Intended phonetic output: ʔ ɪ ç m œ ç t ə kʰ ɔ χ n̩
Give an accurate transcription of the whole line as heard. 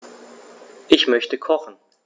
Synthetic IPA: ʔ ɪ ç m œ ç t ə kʰ ɔ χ n̩